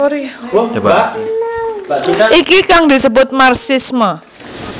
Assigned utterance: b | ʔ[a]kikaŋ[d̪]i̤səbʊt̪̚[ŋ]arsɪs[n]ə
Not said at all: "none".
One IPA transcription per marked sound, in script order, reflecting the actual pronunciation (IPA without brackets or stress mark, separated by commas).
i, d̪, m, m